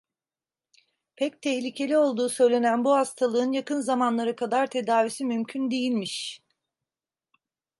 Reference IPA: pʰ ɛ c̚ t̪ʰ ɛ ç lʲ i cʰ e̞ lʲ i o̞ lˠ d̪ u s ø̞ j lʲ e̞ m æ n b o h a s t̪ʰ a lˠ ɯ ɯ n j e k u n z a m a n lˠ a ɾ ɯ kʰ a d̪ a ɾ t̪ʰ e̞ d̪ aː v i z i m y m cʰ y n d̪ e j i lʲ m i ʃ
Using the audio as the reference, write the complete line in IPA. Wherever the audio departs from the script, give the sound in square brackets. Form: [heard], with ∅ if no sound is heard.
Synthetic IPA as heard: pʰ ɛ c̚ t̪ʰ ɛ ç lʲ i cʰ e̞ lʲ i o̞ lˠ d̪ [uː] s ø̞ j lʲ e̞ [n] æ n b [u] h a s t̪ʰ a lˠ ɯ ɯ n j [a] k [ɯ] n z a m a n lˠ a ɾ ɯ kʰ a d̪ a ɾ t̪ʰ e̞ d̪ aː v i [s] i m y m cʰ y n d̪ e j i lʲ m i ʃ